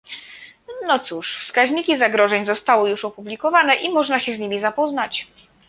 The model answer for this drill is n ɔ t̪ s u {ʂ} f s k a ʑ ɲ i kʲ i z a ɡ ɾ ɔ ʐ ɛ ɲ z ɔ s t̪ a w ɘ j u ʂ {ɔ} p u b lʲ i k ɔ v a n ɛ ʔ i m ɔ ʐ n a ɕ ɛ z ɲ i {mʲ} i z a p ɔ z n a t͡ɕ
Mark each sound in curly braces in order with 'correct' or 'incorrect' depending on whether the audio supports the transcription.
correct, correct, correct

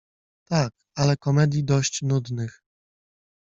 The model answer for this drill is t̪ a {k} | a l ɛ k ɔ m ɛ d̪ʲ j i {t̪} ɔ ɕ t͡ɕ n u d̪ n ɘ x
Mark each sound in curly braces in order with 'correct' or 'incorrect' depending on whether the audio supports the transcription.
correct, incorrect: d̪

